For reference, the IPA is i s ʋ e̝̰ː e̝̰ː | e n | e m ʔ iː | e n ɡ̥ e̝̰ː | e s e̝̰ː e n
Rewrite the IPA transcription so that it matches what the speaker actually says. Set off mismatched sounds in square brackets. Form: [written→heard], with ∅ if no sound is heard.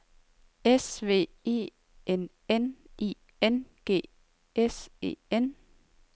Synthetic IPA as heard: [i→e] s ʋ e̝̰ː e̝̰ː | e n | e [m→n] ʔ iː | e n ɡ̥ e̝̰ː | e s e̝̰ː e n